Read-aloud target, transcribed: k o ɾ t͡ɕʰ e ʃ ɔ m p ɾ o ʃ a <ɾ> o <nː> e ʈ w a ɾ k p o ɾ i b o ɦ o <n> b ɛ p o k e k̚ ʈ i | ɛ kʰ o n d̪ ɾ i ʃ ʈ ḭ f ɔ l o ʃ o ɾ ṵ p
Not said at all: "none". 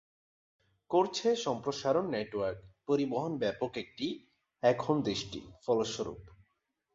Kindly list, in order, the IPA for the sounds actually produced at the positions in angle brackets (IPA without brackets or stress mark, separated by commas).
ɾ, nː, n